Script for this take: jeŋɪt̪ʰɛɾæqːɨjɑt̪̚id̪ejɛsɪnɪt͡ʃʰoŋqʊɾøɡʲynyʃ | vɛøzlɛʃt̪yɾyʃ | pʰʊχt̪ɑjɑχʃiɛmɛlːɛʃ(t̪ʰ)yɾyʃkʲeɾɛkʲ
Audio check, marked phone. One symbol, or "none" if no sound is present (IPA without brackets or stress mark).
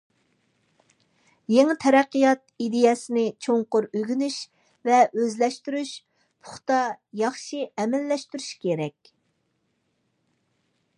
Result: t̪